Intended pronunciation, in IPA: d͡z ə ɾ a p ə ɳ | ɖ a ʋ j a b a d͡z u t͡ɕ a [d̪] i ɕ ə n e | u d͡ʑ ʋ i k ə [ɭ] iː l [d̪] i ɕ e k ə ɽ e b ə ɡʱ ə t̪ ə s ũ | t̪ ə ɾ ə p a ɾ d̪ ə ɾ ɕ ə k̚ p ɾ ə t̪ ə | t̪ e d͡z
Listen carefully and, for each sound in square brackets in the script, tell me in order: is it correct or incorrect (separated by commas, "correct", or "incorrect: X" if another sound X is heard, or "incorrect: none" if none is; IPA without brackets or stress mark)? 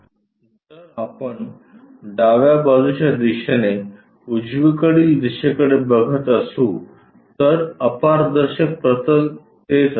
correct, incorrect: ɽ, correct